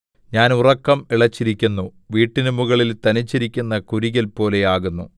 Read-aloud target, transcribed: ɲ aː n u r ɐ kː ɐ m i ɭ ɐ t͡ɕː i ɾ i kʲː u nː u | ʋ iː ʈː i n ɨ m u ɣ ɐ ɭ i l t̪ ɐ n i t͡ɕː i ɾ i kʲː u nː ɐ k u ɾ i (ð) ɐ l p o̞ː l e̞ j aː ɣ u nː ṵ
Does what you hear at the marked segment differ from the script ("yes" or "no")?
yes